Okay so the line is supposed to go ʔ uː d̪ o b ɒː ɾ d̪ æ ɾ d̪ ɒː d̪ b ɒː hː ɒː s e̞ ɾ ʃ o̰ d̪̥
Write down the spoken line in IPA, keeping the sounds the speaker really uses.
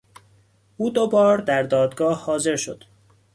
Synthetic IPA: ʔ uː d̪ o b ɒː ɾ d̪ æ ɾ d̪ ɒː d̪ ɡ ɒː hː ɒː z e̞ ɾ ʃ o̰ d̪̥